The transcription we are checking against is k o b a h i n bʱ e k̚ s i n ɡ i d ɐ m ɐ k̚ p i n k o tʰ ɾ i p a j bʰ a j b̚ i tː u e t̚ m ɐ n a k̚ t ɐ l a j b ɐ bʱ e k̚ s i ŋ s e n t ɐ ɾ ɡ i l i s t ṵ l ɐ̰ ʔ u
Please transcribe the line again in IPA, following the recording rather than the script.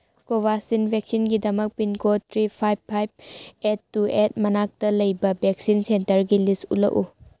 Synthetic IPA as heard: k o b a s i n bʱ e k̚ s i n ɡ i d ɐ m ɐ k̚ p i n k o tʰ ɾ i pʰ a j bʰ a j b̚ e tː u e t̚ m ɐ n a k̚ t ɐ l ɐ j b ɐ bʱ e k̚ s i n s e n t ɐ ɾ ɡ i l i s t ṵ l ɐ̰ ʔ u